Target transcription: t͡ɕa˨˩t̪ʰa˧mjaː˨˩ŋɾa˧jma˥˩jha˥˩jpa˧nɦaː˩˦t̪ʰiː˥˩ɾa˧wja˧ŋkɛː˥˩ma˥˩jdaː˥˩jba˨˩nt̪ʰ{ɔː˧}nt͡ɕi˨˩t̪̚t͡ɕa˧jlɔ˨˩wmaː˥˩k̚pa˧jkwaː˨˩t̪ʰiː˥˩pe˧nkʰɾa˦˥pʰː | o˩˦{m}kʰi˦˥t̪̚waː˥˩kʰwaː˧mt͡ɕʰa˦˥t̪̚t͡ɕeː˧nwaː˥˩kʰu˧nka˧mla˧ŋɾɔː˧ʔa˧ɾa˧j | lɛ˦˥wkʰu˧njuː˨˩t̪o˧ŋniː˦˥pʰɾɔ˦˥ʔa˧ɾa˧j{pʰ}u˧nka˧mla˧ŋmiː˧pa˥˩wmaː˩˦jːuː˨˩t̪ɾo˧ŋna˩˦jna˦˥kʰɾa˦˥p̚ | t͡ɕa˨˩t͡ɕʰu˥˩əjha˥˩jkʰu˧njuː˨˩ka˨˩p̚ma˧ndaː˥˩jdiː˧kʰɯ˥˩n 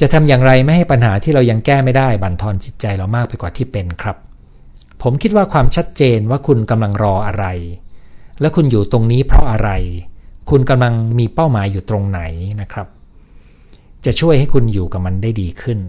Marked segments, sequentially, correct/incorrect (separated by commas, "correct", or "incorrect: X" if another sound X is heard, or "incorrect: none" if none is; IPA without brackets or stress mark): correct, correct, incorrect: kʰ